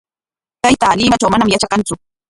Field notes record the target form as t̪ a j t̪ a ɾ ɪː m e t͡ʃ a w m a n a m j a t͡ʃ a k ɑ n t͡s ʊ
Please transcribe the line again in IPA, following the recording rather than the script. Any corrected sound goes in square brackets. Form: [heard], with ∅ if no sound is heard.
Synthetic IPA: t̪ a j t̪ a [l] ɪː m [a] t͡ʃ a w m a n a m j a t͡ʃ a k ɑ n t͡s ʊ